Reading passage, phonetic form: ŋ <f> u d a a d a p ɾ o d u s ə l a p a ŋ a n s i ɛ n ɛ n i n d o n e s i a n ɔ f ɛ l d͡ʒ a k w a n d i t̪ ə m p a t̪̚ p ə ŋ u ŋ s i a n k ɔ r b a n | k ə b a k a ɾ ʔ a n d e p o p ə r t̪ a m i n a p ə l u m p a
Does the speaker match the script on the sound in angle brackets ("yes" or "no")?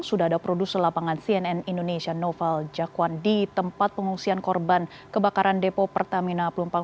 no